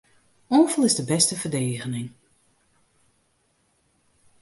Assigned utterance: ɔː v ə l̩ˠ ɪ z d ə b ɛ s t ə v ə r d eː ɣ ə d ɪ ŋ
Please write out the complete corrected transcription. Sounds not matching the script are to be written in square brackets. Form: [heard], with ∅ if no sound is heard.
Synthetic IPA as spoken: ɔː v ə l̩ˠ ɪ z d ə b ɛ s t ə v ə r d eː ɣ ə [n] ɪ ŋ

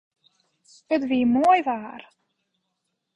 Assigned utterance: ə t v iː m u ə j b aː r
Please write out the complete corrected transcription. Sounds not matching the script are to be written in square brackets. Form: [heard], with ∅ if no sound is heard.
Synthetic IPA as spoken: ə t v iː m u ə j [v] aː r

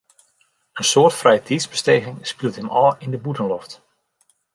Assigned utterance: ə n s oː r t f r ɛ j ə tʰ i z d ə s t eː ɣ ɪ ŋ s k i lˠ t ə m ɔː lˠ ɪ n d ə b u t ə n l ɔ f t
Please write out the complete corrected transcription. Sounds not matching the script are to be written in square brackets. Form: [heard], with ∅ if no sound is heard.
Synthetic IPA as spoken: ə n s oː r t f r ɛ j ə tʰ i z [b] ə s t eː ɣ ɪ ŋ s [p] i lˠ t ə m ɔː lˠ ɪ n d ə b u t ə n l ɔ f t

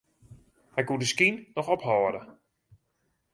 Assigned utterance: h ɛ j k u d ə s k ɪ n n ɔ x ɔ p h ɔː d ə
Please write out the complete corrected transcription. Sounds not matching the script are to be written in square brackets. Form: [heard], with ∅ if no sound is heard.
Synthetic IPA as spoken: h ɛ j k u d ə s k [i] n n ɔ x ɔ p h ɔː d ə

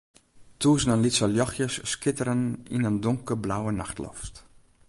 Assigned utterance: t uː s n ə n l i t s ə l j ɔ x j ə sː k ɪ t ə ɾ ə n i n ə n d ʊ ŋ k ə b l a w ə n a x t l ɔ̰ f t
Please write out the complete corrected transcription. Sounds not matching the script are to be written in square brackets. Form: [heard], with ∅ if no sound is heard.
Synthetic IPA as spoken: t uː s n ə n l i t s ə l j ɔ x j ə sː k ɪ t ə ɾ ə n i n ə n d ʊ ŋ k ə b l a w ə n a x t l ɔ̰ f t

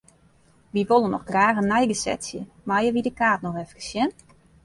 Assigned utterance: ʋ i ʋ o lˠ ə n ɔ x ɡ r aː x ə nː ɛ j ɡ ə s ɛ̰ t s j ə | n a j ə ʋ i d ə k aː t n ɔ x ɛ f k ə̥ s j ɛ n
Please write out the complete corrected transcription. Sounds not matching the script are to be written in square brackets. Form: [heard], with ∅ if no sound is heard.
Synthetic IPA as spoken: ʋ i ʋ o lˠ ə n ɔ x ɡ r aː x ə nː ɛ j ɡ ə s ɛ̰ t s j ə | [m] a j ə ʋ i d ə k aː t n ɔ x ɛ f k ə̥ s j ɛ n

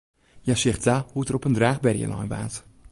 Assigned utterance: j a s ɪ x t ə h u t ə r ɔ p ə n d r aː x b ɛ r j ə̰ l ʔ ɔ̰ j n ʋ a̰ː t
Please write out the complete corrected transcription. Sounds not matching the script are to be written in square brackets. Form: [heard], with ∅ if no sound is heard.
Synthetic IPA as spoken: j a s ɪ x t [a] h u t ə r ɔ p ə n d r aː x b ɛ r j ə̰ l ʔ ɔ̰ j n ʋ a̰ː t

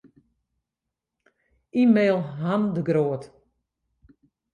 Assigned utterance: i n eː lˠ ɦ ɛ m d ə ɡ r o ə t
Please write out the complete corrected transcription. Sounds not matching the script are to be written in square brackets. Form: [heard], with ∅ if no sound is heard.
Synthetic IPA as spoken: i [m] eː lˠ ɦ [a] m d ə ɡ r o ə t

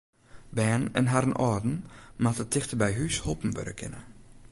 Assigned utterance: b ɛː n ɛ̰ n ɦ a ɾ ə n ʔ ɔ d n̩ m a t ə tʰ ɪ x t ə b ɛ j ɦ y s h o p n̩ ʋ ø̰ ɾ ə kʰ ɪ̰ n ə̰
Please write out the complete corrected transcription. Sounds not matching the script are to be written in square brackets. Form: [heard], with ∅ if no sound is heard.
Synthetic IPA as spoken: b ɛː n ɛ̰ n ɦ a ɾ ə n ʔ ɔ d n̩ m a t ə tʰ ɪ x t ə b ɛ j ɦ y s h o p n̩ ʋ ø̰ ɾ ə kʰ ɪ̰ n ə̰

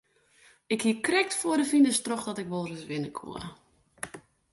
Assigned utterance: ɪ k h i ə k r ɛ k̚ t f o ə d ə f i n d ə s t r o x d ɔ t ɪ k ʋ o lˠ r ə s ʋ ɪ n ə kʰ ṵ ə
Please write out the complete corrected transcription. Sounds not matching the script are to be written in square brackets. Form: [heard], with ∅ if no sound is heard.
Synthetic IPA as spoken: ɪ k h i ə k r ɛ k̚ t f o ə d ə f i n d ə s t r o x d ɔ t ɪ k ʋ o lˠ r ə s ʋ ɪ n ə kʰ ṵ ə

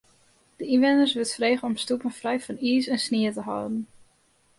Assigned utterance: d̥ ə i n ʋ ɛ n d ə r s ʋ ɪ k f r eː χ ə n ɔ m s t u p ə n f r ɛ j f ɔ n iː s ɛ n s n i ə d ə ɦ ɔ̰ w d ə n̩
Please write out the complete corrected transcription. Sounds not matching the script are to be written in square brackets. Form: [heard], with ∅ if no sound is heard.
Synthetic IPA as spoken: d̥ ə i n ʋ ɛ n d ə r s ʋ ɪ [t] f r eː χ ə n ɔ m s t u p ə n f r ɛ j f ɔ n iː s ɛ n s n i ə [t] ə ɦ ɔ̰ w d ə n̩

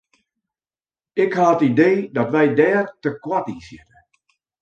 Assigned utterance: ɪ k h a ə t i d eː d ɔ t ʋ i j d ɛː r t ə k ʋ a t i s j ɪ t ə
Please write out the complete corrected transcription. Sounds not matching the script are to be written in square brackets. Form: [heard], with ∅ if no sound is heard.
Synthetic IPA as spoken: ɪ k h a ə t i d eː d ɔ t ʋ [ɛ] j d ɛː r t ə k [w] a t i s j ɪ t ə

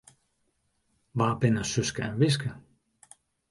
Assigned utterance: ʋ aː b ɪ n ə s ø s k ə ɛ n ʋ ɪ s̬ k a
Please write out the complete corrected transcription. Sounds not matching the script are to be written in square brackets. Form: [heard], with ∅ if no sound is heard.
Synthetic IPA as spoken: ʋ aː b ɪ n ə s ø s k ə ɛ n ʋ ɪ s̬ k [ə]

